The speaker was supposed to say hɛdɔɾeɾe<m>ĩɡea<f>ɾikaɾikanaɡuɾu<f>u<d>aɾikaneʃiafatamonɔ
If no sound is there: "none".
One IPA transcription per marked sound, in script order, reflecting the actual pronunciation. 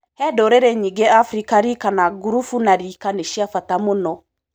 ɲ, f, f, n

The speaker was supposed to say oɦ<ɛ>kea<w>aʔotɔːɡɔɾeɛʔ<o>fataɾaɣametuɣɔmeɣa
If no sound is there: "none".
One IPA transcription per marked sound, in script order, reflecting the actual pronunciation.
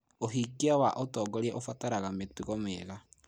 i, w, o

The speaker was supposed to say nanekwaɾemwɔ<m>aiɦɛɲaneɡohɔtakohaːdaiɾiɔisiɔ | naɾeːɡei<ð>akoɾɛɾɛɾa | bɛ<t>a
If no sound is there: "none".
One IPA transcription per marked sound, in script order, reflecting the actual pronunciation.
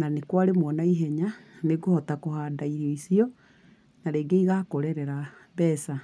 n, ɣ, s

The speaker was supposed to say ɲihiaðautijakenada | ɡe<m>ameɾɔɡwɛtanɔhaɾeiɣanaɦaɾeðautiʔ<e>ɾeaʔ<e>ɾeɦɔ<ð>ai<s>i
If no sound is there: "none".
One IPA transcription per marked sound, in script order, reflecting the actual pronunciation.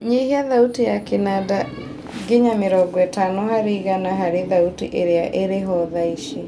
ɲ, e, e, ð, ʃ

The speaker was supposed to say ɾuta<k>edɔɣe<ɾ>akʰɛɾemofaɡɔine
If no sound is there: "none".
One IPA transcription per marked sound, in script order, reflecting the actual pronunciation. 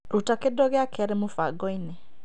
k, none

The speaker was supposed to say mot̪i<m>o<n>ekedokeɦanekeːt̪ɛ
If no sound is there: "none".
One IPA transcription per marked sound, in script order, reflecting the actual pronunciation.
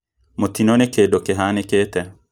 n, n

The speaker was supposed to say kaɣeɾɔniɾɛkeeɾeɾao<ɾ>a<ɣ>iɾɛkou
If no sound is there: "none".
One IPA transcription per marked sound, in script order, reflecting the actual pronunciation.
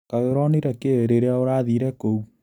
ɾ, ð

